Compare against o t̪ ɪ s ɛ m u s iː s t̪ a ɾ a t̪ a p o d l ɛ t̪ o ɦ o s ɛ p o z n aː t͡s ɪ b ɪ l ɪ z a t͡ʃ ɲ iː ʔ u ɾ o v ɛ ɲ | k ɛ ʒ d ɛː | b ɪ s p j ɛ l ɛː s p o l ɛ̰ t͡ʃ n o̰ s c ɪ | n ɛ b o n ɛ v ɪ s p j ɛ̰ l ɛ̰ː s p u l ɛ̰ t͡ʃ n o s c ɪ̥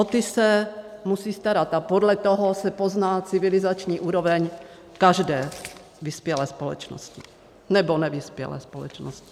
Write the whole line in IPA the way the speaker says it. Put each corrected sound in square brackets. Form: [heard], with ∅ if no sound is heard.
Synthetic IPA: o t̪ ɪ s ɛ m u s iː s t̪ a ɾ a t̪ a p o d l ɛ t̪ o ɦ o s ɛ p o z n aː t͡s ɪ [v] ɪ l ɪ z a t͡ʃ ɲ iː ʔ [uː] ɾ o v ɛ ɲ | k [a] ʒ d ɛː | [v] ɪ s p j ɛ l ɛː s p o l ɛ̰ t͡ʃ n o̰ s c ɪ | n ɛ b o n ɛ v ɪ s p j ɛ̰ l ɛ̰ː s p [o] l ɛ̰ t͡ʃ n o s c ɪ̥